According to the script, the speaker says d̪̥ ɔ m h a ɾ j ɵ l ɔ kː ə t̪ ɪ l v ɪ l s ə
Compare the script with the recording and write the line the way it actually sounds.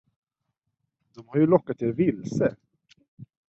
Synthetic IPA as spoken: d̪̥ ɔ m h a ɾ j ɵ l ɔ kː a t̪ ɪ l v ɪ l s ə